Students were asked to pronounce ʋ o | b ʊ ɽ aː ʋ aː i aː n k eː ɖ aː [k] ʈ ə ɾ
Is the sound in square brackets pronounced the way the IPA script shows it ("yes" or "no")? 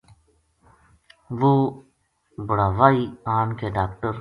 yes